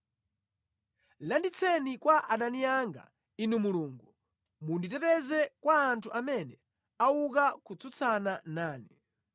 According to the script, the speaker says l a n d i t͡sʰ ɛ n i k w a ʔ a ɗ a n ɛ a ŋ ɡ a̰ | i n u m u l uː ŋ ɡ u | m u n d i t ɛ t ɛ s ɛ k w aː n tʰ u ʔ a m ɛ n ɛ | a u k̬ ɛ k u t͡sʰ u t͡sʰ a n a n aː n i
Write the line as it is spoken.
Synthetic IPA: l a n d i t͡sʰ ɛ n i k w a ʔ a ɗ a n i a ŋ ɡ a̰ | i n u m u l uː ŋ ɡ u | m u n d i t ɛ t ɛ z ɛ k w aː n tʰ u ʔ a m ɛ n ɛ | a u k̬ a k u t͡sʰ u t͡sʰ a n a n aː n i

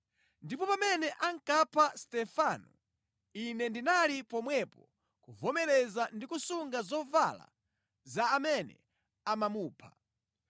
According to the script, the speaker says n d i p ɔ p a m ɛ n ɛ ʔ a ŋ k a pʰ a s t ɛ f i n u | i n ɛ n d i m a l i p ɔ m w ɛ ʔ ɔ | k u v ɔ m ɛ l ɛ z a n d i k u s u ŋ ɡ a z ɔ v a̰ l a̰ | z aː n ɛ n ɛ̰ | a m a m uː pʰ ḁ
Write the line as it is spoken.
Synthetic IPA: n d i p ɔ p a m ɛ n ɛ ʔ a ŋ k a pʰ a s t ɛ f a n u | i n ɛ n d i n a l i p ɔ m w ɛ p ɔ | k u v ɔ m ɛ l ɛ z a n d i k u s u ŋ ɡ a z ɔ v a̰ l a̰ | z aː m ɛ n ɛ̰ | a m a m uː pʰ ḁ

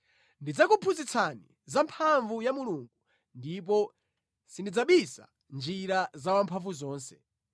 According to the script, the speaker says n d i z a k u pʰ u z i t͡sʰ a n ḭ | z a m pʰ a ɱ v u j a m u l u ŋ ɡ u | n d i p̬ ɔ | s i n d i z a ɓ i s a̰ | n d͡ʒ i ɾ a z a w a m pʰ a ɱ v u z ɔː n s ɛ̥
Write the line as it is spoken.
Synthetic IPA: n d i d͡z a k u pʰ u z i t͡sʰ a n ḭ | z a m pʰ a ɱ v u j a m u l u ŋ ɡ u | n d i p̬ ɔ | s i n d i d͡z a ɓ i s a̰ | n d͡ʒ i ɾ a z a w a m pʰ a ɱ v u z ɔː n s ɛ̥

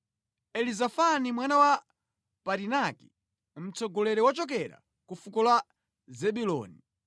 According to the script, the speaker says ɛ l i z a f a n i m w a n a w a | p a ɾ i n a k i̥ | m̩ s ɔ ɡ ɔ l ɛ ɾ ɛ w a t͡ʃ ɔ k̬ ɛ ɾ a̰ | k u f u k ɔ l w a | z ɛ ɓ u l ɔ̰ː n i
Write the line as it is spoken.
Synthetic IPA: ɛ l i z a f a n i m w a n a w a | p a ɾ i n a k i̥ | m̩ t͡s ɔ ɡ ɔ l ɛ ɾ ɛ w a t͡ʃ ɔ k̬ ɛ ɾ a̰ | k u f u k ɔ l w a | z ɛ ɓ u l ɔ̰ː n i

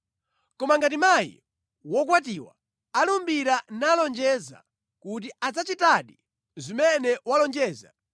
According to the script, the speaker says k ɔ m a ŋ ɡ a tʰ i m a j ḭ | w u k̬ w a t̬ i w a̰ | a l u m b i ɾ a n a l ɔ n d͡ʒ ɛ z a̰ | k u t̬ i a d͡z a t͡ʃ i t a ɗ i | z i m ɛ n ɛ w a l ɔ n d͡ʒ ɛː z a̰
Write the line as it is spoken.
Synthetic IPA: k ɔ m a ŋ ɡ a t i m a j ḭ | w ɔ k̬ w a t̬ i w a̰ | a l u m b i ɾ a n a l ɔ n d͡ʒ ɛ z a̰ | k u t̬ i a d͡z a t͡ʃ i t a ɗ i | z i m ɛ n ɛ w a l ɔ n d͡ʒ ɛː z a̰

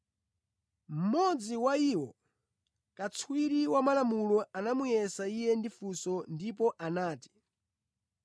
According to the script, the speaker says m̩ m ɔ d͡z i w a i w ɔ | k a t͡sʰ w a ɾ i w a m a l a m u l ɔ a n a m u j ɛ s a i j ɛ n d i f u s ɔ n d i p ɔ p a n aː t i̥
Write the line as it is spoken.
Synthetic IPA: m̩ m ɔ d͡z i w a i w ɔ | k a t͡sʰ w i ɾ i w a m a l a m u l ɔ a n a m u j ɛ s a i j ɛ n d i f u s ɔ n d i p ɔ ʔ a n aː t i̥

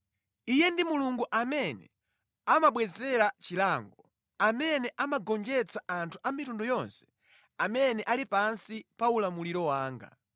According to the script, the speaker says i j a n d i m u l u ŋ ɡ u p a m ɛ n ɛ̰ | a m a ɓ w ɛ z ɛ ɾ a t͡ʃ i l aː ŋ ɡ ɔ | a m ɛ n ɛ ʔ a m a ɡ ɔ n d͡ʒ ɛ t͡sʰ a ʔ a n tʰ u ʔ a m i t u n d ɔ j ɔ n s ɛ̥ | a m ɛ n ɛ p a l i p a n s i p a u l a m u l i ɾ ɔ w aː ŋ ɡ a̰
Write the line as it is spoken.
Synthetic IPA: i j ɛ n d i m u l u ŋ ɡ u ʔ a m ɛ n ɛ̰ | a m a ɓ w ɛ z ɛ ɾ a t͡ʃ i l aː ŋ ɡ ɔ | a m ɛ n ɛ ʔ a m a ɡ ɔ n d͡ʒ ɛ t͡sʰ a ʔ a n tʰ u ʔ a m i t u n d ɔ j ɔ n s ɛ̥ | a m ɛ n ɛ ʔ a l i p a n s i p a u l a m u l i ɾ ɔ w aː ŋ ɡ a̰

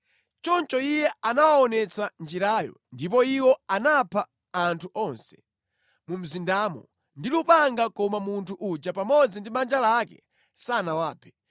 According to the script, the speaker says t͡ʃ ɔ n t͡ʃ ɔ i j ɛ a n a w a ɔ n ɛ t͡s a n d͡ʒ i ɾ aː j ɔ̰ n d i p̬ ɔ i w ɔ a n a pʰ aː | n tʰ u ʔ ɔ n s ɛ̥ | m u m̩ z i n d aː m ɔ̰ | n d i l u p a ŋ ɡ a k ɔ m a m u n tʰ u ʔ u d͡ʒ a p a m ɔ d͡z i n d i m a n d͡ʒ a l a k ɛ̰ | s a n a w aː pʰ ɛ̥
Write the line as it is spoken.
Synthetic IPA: t͡ʃ ɔ n t͡ʃ ɔ i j ɛ a n a w a ɔ n ɛ t͡s a n d͡ʒ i ɾ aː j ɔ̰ n d i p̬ ɔ i w ɔ a n a pʰ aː | n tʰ u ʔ ɔ n s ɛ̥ | m u m̩ z i n d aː m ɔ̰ | n d i l u p a ŋ ɡ a k ɔ m a m u n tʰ u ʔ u d͡ʒ a p a m ɔ d͡z i n d i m a n d͡ʒ a l a k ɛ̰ | s a n a w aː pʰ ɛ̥

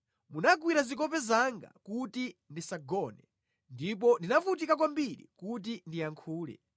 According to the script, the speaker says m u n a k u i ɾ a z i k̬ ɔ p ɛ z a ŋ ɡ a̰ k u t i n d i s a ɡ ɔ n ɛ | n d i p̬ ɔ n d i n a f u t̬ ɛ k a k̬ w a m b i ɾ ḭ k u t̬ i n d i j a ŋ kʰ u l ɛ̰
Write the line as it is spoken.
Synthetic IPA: m u n a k w i ɾ a z i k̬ ɔ p ɛ z a ŋ ɡ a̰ k u t i n d i s a ɡ ɔ n ɛ | n d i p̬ ɔ n d i n a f u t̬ i k a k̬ w a m b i ɾ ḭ k u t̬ i n d i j a ŋ kʰ uː l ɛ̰

